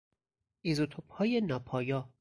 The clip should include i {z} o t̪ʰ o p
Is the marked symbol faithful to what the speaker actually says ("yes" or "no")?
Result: yes